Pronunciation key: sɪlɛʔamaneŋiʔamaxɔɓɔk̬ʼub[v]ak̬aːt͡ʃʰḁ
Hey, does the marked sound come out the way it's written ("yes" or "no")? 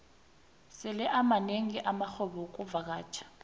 yes